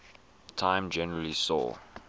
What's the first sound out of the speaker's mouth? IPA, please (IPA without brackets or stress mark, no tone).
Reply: tʰ